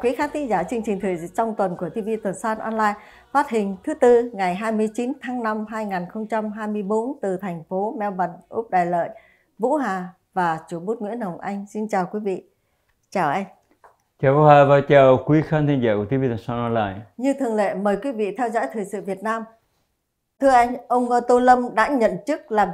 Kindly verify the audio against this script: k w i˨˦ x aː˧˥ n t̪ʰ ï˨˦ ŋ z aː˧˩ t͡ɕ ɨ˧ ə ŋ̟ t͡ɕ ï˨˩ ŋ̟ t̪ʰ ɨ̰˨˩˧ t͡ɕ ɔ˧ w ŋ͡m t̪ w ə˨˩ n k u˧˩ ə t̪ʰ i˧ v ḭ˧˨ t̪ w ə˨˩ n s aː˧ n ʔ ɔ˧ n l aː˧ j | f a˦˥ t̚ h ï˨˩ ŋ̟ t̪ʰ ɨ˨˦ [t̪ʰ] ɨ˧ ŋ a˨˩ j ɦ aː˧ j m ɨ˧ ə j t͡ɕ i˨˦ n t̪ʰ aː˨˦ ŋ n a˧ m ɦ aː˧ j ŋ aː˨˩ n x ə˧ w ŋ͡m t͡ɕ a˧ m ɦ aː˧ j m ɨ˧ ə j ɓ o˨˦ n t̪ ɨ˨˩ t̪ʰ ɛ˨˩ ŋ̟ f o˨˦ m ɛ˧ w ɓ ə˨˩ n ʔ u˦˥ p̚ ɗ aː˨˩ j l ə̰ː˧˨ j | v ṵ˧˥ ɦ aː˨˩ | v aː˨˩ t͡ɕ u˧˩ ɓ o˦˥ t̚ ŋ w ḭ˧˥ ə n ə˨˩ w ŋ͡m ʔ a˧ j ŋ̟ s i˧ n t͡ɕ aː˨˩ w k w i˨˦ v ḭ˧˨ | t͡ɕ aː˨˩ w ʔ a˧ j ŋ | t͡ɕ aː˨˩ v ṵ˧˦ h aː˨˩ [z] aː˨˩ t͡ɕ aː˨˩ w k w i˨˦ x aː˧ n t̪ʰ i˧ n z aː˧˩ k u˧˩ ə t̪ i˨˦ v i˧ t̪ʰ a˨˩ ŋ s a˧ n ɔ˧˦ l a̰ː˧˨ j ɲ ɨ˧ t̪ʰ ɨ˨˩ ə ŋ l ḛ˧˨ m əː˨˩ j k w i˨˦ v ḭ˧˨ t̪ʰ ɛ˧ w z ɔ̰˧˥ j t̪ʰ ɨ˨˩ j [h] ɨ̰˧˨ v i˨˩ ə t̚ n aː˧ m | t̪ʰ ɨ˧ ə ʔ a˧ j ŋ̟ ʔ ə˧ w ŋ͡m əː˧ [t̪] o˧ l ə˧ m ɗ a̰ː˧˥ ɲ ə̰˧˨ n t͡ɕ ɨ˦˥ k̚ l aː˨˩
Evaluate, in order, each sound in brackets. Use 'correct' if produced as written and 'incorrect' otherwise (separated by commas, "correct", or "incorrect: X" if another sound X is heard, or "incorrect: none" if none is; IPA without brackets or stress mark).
incorrect: t̪, incorrect: v, incorrect: s, correct